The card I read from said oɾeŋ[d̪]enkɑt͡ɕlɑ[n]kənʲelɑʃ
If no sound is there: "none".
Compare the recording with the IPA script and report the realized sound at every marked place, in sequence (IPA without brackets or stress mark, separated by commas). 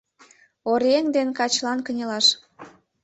d̪, n